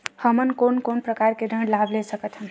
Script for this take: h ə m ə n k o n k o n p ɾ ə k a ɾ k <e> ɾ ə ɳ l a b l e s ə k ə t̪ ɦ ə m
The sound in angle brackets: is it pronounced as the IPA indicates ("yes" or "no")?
yes